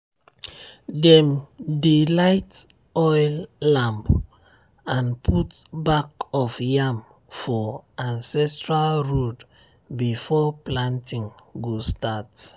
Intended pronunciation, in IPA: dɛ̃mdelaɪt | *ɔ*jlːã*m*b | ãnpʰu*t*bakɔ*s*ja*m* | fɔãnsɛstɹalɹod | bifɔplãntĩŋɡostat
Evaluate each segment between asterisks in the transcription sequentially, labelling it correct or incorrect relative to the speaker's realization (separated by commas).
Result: correct, correct, correct, incorrect, correct